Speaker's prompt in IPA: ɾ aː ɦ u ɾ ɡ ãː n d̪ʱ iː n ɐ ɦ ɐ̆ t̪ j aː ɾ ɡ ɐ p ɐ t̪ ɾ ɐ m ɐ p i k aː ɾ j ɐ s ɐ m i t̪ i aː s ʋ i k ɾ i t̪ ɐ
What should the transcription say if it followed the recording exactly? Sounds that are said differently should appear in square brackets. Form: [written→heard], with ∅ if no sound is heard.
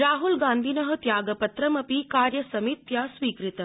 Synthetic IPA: ɾ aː ɦ u [ɾ→l] ɡ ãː n d̪ʱ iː n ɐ ɦ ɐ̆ t̪ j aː [ɾ→∅] ɡ ɐ p ɐ t̪ ɾ ɐ m ɐ p i k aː ɾ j ɐ s ɐ m i t̪ [i→j] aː s ʋ [i→iː] k ɾ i t̪ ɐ